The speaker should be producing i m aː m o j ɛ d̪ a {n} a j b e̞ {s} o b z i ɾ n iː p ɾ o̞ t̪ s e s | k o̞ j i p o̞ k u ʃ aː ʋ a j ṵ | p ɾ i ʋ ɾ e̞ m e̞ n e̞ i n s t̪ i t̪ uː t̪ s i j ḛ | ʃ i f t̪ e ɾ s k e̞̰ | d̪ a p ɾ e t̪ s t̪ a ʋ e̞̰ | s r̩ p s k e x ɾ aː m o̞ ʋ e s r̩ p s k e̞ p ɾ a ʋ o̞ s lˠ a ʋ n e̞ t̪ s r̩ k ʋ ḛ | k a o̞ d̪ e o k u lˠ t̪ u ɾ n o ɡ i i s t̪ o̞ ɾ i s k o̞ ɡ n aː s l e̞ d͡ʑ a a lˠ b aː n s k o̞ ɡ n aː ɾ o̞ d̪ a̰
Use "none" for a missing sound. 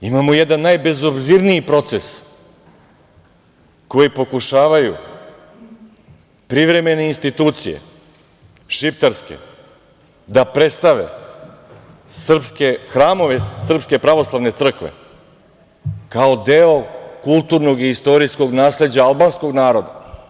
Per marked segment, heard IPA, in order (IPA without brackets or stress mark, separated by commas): nː, z